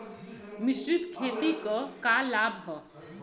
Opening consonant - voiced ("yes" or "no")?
yes